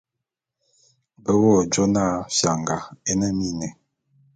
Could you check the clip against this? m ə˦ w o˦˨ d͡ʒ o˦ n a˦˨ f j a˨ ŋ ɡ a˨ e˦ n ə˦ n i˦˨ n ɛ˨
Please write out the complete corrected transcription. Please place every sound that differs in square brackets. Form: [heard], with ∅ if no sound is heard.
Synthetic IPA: [b] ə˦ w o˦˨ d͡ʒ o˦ n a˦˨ f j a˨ ŋ ɡ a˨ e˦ n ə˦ [m] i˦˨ n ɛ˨

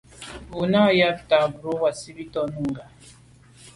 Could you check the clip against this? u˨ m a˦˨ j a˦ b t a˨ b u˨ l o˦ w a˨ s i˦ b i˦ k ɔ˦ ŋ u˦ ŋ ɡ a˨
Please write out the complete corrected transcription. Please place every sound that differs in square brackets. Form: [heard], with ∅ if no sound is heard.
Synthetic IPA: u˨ [n] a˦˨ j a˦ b t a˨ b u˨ [ɾ] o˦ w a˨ s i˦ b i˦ [t] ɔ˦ [n] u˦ ŋ ɡ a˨

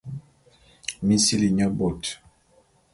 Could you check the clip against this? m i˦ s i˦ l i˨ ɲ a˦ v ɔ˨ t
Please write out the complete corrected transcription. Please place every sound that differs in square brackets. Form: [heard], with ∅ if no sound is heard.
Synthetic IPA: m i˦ s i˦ l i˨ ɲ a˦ [b] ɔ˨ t

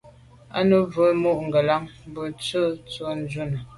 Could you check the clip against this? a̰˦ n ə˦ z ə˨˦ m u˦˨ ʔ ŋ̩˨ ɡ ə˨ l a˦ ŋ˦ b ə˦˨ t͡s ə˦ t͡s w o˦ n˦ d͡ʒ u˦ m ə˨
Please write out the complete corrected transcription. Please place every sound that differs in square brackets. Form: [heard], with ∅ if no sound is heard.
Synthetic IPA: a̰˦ n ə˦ [v] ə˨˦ m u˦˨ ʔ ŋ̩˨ ɡ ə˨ l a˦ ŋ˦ b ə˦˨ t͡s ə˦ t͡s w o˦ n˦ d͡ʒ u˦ [n] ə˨

